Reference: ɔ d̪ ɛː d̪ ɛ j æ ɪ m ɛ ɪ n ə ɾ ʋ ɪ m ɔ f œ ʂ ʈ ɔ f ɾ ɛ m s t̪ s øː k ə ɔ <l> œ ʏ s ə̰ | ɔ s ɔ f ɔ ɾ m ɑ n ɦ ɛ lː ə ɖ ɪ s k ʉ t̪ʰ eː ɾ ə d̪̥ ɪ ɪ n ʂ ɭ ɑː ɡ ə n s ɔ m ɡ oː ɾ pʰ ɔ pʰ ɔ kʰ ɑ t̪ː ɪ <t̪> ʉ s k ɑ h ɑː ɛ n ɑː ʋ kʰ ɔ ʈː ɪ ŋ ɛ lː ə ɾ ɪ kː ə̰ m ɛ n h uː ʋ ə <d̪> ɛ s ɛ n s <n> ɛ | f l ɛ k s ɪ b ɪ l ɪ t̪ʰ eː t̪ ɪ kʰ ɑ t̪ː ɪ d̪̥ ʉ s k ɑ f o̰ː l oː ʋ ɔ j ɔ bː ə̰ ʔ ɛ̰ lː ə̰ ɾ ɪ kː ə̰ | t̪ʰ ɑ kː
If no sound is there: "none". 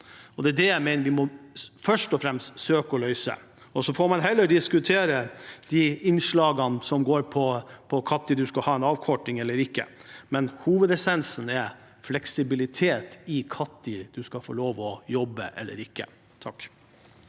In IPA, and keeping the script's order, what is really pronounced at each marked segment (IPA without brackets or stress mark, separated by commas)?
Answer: l, d̪, d̪, n